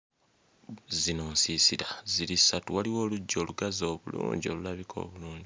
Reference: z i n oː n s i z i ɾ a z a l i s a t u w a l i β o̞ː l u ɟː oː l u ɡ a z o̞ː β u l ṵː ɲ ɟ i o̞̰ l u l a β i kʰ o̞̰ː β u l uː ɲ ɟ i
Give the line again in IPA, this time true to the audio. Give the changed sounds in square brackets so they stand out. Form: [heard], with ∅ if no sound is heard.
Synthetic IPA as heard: z i n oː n s i [s] i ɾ a z [i] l i s a t u w a l i [w] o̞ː l u ɟː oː l u ɡ a z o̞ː β u l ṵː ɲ ɟ i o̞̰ l u l a β i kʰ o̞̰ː β u l uː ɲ ɟ i